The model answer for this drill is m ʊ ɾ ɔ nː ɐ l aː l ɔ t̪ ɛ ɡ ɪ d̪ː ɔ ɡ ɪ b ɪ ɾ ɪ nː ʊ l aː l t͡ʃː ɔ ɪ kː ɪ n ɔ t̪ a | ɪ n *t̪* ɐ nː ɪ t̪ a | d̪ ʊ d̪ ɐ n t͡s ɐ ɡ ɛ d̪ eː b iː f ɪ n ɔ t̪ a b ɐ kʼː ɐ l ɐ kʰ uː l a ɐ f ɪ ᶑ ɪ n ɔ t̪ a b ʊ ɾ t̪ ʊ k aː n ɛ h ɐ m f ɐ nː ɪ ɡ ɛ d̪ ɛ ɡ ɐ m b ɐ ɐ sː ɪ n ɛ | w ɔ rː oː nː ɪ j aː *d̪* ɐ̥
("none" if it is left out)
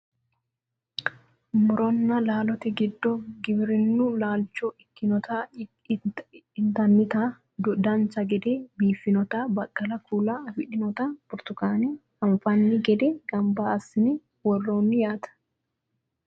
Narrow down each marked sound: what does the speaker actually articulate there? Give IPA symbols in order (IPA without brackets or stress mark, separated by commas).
t̪, t̪